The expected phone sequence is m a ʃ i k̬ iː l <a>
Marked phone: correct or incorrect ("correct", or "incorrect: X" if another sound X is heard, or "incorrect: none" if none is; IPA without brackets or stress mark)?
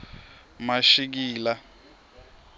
correct